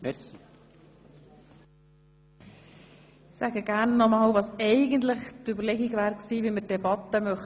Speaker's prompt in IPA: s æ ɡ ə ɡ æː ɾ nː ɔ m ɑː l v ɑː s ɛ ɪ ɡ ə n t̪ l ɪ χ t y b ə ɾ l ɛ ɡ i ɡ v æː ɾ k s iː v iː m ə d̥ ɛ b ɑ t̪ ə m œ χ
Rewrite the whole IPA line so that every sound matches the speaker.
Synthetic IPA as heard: s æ ɡ ə ɡ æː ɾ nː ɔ m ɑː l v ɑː s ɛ ɪ ɡ ə n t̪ l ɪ χ t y b ə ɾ l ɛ ɡ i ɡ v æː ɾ k s iː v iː m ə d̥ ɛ b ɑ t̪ ə m œ χ